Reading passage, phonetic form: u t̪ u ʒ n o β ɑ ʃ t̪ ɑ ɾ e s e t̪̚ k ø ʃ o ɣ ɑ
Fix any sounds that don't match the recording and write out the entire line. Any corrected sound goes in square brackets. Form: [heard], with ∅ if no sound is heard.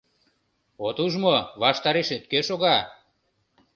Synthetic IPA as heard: [o] t̪ u ʒ [m] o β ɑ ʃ t̪ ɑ ɾ e [ʃ] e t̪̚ k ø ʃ o ɣ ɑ